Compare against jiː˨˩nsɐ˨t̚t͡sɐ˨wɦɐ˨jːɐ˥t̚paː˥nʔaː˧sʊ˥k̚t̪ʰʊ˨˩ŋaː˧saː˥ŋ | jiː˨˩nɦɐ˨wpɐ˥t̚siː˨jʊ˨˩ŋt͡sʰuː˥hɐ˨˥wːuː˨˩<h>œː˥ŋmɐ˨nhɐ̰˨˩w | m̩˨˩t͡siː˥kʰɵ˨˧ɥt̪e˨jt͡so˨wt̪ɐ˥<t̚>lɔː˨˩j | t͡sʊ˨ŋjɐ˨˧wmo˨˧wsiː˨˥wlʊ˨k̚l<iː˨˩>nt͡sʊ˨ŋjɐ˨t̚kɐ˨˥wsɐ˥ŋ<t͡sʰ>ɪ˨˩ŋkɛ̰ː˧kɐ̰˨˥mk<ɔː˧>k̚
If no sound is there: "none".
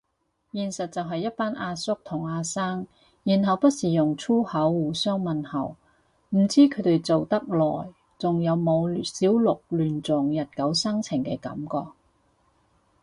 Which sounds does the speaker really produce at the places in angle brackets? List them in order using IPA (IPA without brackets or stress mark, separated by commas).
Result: s, k̚, yː˨˩, t͡sʰ, ɔː˧